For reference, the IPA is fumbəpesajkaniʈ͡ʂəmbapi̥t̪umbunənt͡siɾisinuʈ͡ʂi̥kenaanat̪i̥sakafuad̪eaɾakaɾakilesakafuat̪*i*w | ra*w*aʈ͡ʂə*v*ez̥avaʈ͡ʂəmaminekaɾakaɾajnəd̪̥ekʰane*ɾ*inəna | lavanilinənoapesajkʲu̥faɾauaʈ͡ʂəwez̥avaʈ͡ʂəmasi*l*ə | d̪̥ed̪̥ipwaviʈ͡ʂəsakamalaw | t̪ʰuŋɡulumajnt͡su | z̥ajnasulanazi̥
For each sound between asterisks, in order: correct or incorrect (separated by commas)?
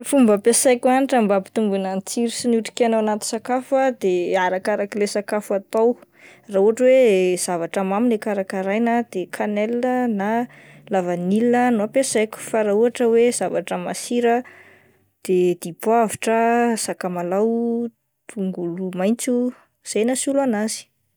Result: incorrect, incorrect, incorrect, incorrect, incorrect